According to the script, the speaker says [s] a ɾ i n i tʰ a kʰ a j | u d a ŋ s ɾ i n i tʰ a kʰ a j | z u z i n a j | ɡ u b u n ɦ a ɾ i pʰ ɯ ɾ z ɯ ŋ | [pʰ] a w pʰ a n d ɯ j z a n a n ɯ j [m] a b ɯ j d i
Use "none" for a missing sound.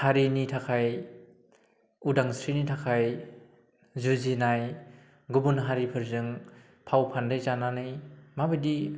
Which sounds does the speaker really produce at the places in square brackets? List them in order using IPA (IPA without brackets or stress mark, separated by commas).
h, pʰ, m